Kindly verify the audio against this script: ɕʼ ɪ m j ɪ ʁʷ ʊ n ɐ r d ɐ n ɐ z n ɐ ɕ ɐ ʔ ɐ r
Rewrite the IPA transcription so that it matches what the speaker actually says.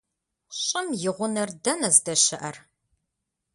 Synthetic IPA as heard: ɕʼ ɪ m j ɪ ʁʷ ʊ n ɐ r d ɐ n ɐ z d ɐ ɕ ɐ ʔ ɐ r